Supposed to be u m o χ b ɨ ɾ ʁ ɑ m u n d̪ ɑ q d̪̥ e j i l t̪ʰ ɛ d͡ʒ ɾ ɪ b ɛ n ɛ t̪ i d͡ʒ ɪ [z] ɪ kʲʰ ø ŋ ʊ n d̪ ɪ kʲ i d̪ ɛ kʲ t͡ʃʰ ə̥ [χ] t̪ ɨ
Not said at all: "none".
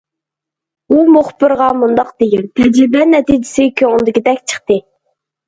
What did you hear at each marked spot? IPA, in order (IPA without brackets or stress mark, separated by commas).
s, χ